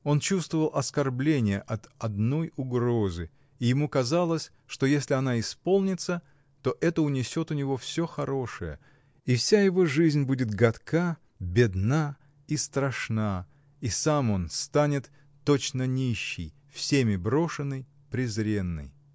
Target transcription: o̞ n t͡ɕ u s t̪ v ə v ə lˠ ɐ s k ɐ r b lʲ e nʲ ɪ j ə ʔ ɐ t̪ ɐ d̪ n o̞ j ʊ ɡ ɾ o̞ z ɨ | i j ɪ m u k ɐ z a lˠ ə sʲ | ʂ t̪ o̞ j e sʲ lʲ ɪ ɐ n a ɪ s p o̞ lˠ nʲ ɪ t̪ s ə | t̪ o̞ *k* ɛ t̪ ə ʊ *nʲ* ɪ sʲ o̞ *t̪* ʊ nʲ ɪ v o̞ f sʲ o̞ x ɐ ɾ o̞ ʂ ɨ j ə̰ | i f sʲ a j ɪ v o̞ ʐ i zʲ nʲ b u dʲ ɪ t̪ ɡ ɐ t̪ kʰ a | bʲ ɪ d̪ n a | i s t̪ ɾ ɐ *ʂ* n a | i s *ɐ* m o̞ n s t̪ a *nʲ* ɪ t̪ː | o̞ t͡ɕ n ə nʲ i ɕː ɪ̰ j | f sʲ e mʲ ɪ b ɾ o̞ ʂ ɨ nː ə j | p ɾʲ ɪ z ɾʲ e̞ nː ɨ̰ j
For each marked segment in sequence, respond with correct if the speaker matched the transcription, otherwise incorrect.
incorrect: ʔ, correct, correct, correct, incorrect: a, correct

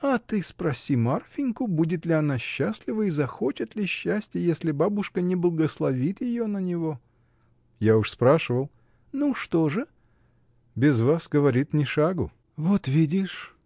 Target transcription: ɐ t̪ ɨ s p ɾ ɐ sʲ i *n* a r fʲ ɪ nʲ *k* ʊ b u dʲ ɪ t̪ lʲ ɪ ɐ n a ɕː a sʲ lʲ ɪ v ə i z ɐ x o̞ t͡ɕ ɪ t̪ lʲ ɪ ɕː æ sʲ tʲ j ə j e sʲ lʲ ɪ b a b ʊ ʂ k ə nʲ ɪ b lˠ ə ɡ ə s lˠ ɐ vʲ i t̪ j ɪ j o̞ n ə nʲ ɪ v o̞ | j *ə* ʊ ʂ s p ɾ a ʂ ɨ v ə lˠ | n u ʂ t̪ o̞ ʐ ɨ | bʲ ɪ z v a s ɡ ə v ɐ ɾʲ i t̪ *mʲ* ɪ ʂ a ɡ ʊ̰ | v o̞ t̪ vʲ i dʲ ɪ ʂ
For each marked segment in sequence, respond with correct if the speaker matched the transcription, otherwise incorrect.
incorrect: m, correct, incorrect: a, incorrect: nʲ

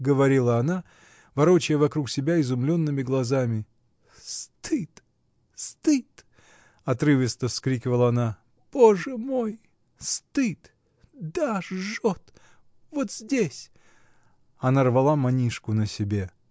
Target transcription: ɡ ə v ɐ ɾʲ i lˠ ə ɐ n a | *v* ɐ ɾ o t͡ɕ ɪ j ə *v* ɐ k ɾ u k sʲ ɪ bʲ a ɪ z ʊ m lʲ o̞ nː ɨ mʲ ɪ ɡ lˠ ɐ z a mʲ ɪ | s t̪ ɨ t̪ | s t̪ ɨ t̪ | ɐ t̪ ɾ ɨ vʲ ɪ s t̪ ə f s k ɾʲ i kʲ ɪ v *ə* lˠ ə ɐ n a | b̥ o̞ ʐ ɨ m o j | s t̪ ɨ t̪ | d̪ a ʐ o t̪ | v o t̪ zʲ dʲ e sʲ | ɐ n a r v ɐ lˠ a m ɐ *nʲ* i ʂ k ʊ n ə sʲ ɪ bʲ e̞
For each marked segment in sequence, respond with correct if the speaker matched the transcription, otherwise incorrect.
correct, correct, correct, correct

